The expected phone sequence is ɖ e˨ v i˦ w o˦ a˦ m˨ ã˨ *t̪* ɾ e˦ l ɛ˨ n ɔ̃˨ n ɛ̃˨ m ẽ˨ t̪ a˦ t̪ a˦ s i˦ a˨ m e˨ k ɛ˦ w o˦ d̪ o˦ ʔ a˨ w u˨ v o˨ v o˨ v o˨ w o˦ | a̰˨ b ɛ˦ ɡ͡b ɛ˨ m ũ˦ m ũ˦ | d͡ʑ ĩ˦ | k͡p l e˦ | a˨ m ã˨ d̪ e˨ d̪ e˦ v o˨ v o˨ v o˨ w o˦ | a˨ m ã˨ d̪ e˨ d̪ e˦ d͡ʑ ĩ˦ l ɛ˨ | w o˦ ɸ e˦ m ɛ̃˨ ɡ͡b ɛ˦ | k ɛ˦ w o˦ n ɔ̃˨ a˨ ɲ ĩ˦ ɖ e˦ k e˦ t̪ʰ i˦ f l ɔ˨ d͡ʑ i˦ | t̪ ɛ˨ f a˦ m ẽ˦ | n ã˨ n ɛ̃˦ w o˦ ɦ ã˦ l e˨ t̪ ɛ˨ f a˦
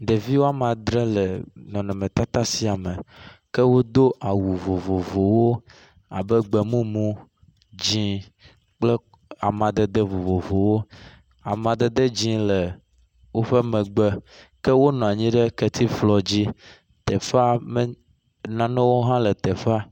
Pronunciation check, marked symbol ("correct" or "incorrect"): incorrect